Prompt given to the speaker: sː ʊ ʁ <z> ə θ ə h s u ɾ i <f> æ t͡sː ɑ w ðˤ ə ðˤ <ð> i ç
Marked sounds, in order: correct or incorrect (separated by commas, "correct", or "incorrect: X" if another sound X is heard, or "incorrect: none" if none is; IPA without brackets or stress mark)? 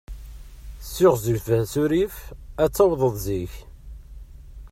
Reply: correct, correct, incorrect: z